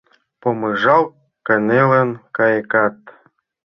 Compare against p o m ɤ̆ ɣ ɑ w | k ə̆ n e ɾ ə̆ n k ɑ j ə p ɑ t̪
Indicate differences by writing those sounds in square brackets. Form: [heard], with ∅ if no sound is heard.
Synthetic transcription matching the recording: p o m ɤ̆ [ʒ] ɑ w | k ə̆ n e [l] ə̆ n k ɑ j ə [k] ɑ t̪